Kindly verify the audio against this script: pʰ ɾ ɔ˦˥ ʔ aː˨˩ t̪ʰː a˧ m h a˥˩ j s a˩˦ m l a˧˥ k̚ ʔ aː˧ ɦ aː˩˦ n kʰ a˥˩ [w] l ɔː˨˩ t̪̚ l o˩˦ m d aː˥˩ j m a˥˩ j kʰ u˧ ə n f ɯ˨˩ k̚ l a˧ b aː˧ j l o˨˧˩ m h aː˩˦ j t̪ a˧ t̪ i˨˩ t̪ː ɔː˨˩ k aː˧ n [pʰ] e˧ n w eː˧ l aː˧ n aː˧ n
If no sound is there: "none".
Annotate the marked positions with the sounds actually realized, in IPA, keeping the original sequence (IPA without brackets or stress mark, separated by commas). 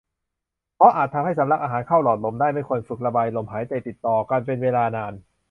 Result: w, p